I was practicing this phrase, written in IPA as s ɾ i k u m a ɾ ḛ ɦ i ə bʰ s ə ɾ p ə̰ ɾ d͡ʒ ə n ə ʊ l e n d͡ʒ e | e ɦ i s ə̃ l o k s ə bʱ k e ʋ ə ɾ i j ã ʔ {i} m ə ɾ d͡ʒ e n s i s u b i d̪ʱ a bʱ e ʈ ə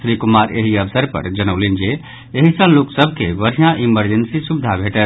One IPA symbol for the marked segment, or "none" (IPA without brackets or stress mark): i